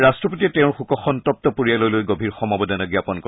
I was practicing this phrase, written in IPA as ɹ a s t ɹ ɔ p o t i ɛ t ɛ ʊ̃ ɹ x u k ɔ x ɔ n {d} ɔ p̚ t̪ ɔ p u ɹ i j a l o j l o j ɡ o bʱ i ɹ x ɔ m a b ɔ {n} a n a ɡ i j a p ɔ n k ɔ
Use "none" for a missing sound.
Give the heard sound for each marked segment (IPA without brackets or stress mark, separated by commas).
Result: t, d